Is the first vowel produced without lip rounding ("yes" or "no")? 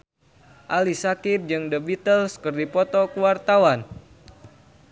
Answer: yes